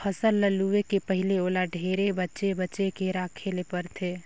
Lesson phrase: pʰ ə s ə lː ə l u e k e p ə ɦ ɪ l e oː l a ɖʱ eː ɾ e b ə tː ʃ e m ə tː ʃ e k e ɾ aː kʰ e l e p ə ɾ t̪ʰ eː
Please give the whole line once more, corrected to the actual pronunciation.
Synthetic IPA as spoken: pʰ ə s ə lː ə l u e k e p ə ɦ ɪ l e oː l a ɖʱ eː ɾ e b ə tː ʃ e b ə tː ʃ e k e ɾ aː kʰ e l e p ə ɾ t̪ʰ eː